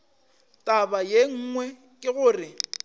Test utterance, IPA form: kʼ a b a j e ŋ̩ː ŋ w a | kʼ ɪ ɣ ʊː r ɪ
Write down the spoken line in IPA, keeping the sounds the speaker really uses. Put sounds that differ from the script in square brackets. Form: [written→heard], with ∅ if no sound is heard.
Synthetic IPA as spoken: [kʼ→tʼ] a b a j e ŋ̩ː ŋ w [a→ɛ] | kʼ ɪ ɣ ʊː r ɪ